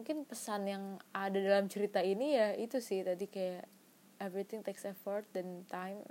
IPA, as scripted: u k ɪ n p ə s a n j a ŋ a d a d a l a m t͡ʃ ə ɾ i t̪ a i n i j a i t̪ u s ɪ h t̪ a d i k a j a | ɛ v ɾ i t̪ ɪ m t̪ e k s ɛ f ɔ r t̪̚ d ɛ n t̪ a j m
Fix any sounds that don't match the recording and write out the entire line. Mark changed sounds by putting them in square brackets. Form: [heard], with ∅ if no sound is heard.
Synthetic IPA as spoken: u k ɪ n p ə s a n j a ŋ a d a d a l a m t͡ʃ ə ɾ i t̪ a i n i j a i t̪ u s ɪ h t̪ a d i k a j a | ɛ v ɾ i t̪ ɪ [ŋ] t̪ e k s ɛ f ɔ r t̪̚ d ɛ n t̪ a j m